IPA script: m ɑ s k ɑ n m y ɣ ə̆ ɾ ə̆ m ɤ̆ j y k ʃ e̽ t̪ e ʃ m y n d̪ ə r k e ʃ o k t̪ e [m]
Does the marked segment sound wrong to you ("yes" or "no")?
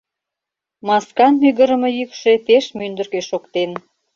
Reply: yes